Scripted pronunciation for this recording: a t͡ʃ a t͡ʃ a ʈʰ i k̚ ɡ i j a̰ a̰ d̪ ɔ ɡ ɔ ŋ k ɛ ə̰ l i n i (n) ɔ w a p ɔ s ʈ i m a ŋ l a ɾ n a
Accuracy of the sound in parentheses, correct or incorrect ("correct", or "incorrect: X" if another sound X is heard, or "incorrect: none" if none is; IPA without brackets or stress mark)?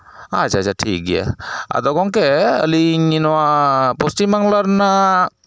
correct